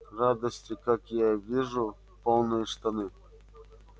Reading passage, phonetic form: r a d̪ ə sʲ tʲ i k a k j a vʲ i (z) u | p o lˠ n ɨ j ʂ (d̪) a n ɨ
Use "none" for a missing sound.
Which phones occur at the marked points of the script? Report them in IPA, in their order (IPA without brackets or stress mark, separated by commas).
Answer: ʐ, t̪